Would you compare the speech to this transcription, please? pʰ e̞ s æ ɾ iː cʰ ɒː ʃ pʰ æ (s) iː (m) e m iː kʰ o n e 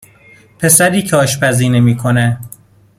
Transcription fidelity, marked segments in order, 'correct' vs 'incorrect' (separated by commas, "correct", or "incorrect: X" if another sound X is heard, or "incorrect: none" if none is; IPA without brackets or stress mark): incorrect: z, incorrect: n